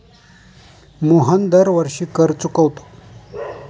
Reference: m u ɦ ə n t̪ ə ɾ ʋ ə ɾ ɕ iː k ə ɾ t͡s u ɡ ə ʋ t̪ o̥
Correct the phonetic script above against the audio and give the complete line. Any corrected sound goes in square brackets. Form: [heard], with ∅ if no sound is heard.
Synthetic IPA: m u ɦ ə n [d̪] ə ɾ ʋ ə ɾ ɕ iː k ə ɾ t͡s u [k] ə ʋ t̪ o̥